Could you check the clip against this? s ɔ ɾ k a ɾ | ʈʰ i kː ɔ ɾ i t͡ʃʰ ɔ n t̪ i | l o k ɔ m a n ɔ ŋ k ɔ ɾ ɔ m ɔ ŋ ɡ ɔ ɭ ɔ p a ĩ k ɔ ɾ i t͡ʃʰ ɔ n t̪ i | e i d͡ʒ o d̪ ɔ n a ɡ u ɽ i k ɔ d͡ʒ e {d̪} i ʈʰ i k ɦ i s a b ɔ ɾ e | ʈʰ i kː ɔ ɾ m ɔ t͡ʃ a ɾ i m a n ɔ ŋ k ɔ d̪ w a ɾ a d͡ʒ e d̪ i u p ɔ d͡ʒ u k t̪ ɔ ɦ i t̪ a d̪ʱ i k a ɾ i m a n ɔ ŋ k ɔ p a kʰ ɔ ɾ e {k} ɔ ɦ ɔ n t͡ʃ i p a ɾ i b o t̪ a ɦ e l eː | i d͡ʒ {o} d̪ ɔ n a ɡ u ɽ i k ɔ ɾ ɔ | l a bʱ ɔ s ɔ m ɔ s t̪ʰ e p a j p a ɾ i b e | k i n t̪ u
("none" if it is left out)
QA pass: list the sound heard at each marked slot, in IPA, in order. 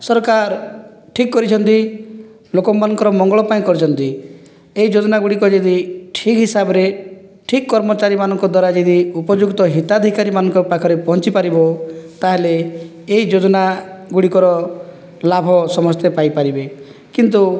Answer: d̪, p, o

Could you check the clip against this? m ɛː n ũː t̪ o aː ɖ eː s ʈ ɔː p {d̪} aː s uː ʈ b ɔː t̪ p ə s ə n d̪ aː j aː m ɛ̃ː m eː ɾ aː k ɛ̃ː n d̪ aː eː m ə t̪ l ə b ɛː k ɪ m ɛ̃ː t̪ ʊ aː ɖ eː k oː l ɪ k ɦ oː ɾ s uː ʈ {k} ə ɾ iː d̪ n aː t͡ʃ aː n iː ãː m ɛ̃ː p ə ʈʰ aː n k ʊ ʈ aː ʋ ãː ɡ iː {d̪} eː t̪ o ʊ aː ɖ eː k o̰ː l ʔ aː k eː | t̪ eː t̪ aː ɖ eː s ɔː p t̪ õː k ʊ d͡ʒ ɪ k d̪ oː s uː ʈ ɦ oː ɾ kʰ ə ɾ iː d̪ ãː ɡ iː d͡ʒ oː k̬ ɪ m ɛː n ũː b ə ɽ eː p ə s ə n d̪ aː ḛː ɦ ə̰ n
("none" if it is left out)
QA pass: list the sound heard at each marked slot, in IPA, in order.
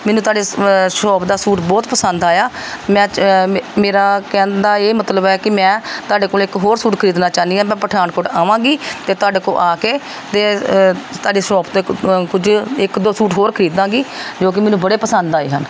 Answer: d̪, kʰ, t̪

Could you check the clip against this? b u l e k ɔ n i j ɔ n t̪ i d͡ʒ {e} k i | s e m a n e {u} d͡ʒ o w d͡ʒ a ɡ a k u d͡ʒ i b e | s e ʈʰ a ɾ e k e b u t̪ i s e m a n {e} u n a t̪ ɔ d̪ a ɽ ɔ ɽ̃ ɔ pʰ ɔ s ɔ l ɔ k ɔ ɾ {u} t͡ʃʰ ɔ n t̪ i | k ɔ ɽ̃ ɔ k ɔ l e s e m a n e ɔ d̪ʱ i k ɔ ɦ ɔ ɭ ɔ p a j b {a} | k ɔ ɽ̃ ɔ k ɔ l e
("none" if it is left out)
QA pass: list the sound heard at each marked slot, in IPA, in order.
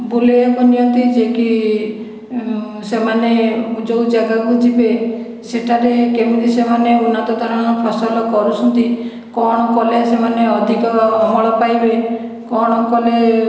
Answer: e, u, e, u, e

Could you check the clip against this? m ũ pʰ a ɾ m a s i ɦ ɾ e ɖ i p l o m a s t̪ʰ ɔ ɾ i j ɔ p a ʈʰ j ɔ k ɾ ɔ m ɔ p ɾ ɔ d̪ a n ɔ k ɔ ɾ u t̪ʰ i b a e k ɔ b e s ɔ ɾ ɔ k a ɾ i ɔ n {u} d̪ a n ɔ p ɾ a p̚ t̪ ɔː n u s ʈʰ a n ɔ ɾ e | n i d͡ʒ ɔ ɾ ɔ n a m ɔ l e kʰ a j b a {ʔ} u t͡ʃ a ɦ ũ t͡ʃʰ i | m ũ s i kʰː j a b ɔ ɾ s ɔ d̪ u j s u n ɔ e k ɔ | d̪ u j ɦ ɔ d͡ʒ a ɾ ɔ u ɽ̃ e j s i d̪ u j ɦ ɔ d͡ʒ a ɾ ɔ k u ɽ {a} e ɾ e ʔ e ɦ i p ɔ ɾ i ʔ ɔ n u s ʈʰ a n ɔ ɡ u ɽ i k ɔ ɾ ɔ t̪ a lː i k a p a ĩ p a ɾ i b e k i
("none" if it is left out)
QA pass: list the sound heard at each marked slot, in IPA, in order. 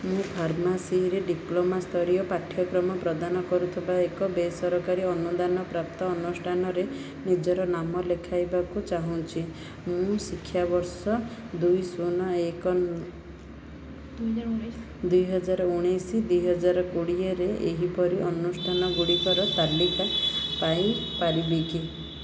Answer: u, k, i

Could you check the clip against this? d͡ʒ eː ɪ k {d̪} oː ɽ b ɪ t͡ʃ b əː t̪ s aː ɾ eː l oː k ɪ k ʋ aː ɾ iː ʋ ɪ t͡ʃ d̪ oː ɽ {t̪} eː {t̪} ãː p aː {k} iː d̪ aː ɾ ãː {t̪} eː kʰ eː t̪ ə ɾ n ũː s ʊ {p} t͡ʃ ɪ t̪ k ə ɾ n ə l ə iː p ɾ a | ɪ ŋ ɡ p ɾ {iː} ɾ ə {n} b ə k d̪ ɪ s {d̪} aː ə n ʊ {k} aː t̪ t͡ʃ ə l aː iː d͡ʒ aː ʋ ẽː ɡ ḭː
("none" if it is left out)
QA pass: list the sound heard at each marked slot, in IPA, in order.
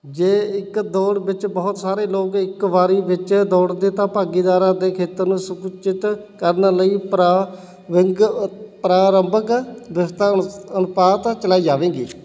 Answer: d̪, d̪, t̪, ɡ, d̪, k, aː, m, t̪, p

